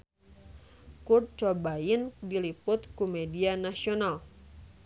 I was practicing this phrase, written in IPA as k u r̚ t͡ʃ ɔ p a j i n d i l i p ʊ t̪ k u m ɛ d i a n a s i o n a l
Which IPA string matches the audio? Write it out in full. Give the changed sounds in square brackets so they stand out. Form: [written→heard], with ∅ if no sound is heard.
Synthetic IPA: k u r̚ t͡ʃ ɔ [p→b] a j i n d i l i p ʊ t̪ k u m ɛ d i a n a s i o n a l

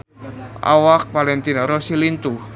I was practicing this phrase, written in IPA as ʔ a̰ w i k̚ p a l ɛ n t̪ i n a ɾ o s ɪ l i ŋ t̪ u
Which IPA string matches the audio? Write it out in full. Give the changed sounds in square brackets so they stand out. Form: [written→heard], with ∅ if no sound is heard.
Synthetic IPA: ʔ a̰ w [i→a] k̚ p a l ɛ n t̪ i n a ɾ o s [ɪ→i] l i [ŋ→n] t̪ u

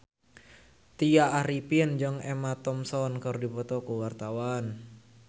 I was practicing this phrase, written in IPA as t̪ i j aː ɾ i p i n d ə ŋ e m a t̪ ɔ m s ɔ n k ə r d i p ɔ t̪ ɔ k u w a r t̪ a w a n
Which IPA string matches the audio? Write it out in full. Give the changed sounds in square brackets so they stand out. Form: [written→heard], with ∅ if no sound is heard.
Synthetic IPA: t̪ i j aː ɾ i p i n [d→d͡ʒ] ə ŋ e m a t̪ ɔ m s ɔ n k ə r d i p ɔ t̪ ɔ k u w a r t̪ a w a n

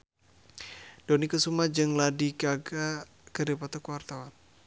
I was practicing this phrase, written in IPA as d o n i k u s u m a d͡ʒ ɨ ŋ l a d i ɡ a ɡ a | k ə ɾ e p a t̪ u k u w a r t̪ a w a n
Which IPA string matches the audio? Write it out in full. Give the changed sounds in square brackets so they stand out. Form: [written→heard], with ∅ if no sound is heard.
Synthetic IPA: d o n i k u s u m a d͡ʒ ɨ ŋ l a d i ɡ a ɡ a | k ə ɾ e p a t̪ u k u w a r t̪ a w a n

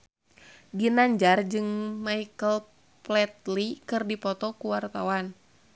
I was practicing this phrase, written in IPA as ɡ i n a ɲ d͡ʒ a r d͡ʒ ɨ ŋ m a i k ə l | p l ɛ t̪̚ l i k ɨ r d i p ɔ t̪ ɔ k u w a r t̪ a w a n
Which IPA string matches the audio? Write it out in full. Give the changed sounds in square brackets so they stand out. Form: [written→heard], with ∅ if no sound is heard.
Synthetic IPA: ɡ i n a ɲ d͡ʒ a r d͡ʒ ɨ ŋ m a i k ə l | p l ɛ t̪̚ l i k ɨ r d i p ɔ t̪ ɔ k u w a r t̪ a w a n

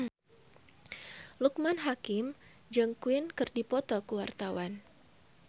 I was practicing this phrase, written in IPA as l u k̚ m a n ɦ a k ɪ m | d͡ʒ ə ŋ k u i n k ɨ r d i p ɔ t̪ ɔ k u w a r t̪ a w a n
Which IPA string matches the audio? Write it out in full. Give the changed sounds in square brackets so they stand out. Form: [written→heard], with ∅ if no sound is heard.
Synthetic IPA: l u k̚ m a n ɦ a k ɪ m | d͡ʒ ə ŋ k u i n k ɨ r d i p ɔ t̪ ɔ k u w a r t̪ a w a n

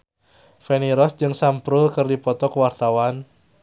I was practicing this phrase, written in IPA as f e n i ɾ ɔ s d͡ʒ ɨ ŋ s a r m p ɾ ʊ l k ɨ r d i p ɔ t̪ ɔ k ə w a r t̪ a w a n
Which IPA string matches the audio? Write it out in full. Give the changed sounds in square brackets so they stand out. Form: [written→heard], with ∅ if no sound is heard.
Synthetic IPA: f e n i ɾ ɔ s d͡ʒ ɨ ŋ s a [r→∅] m p ɾ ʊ l k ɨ r d i p ɔ t̪ ɔ k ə w a r t̪ a w a n

